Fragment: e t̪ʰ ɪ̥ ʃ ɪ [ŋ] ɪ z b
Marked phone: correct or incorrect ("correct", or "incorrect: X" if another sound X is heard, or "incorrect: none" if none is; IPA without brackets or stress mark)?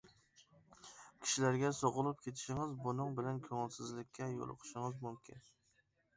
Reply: correct